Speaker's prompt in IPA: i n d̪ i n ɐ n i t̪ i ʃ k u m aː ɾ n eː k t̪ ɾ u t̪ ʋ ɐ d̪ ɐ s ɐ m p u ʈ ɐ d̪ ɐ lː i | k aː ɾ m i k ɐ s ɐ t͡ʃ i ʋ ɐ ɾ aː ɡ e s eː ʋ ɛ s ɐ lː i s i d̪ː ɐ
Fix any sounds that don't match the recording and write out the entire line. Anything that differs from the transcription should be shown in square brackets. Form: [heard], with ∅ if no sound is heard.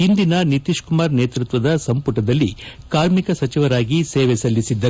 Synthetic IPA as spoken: i n d̪ i n ɐ n i t̪ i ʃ k u m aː ɾ n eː [∅] t̪ ɾ u t̪ ʋ ɐ d̪ ɐ s ɐ m p u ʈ ɐ d̪ ɐ lː i | k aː ɾ m i k ɐ s ɐ t͡ʃ i ʋ ɐ ɾ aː ɡ [i] s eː ʋ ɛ s ɐ lː i s i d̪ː ɐ